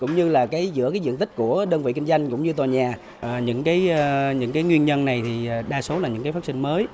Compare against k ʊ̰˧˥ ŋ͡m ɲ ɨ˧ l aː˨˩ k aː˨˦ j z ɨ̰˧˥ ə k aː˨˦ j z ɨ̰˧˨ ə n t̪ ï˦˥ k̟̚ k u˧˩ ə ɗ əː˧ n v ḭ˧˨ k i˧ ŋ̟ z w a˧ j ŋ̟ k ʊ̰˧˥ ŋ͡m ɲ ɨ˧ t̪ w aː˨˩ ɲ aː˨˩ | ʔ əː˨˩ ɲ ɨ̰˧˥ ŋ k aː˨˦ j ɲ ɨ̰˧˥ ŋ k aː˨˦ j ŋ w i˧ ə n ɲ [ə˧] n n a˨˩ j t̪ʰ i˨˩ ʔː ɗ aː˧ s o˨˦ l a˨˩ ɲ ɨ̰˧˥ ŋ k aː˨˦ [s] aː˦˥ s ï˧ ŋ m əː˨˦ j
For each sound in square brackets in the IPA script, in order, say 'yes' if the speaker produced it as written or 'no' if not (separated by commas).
yes, no